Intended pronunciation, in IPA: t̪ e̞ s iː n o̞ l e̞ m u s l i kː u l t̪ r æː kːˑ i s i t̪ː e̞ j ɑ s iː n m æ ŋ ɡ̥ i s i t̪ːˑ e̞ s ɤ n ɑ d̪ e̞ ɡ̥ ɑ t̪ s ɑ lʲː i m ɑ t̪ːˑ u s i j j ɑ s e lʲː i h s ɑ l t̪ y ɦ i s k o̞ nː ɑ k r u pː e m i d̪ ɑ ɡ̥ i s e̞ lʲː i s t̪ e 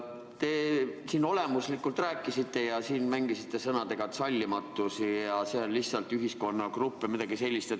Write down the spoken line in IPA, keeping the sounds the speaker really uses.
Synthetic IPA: t̪ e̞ s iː n o̞ l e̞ m u s l i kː u l t̪ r æː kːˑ i s i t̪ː e̞ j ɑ s iː n m æ ŋ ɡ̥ i s i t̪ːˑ e̞ s ɤ n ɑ d̪ e̞ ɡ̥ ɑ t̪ s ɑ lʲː i m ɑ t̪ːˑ u s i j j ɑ s e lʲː i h s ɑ l t̪ y ɦ i s k o̞ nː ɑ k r u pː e m i d̪ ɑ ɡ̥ i s e̞ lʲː i s t̪ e

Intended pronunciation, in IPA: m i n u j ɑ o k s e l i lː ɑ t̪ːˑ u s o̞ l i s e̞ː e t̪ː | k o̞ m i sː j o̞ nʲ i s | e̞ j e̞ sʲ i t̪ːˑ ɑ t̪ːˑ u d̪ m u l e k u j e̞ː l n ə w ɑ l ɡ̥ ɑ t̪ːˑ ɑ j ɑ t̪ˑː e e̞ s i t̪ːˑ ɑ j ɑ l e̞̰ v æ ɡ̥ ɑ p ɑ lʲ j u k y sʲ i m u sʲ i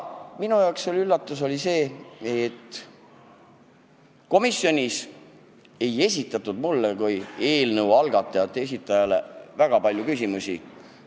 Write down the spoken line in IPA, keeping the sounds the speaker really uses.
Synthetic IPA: m i n u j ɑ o k s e l y lː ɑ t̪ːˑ u s o̞ l i s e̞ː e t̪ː | k o̞ m i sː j o̞ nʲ i s | e̞ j e̞ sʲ i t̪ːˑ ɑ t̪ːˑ u d̪ m u lː e k u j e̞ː l n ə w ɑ l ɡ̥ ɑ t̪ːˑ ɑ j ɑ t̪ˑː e e̞ s i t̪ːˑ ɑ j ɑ l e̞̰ v æ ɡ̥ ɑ p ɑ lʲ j u k y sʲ i m u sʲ i

